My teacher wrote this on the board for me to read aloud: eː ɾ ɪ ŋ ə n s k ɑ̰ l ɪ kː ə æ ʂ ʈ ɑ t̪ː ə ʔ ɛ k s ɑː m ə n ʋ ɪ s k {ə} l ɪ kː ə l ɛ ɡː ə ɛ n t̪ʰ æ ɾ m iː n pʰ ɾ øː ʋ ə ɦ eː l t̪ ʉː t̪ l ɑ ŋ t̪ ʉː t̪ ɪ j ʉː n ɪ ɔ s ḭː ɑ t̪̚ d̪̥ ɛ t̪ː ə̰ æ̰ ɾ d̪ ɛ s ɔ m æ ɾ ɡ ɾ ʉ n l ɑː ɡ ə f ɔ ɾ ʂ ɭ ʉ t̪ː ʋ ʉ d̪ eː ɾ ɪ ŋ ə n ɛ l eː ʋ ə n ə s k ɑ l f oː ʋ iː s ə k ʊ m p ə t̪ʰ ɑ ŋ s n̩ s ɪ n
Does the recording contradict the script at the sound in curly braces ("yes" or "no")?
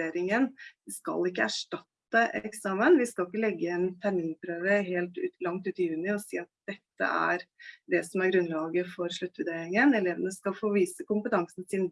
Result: yes